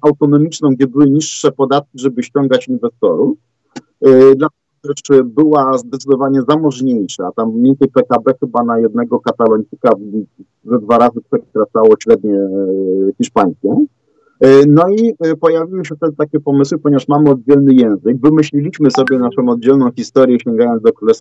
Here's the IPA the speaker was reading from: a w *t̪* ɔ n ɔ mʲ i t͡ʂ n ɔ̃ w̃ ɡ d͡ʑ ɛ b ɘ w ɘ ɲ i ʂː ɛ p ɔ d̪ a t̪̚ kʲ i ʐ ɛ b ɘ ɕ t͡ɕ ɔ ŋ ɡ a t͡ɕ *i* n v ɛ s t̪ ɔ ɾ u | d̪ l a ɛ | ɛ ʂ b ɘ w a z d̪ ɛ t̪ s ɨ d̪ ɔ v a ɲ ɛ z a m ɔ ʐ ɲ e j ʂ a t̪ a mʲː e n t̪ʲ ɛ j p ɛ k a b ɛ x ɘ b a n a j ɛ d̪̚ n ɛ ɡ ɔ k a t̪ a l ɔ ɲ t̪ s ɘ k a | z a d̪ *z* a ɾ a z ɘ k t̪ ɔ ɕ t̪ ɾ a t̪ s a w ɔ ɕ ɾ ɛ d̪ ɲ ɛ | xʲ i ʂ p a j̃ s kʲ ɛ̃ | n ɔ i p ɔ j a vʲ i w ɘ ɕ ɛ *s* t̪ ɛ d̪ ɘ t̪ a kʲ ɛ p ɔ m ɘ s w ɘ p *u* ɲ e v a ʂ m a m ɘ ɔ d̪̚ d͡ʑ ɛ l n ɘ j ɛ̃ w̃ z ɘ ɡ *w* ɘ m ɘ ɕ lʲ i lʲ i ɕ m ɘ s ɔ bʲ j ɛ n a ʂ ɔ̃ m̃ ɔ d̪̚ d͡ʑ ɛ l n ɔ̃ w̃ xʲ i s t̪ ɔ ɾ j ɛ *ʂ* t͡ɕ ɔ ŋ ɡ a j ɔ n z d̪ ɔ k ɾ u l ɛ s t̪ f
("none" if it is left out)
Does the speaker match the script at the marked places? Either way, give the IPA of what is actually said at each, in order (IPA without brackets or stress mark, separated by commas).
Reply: t̪, i, v, f, ɔ, v, ɕ